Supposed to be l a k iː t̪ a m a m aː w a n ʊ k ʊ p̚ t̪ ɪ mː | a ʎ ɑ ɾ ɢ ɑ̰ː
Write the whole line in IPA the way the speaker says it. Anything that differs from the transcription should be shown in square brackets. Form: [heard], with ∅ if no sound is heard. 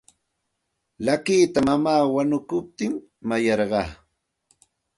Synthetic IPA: l a k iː t̪ a m a m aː w a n ʊ k ʊ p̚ t̪ ɪ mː | a [j] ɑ ɾ ɢ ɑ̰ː